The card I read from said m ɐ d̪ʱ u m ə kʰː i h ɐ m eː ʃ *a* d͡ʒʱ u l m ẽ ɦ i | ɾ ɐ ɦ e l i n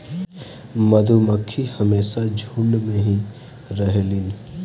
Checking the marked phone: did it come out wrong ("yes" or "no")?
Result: no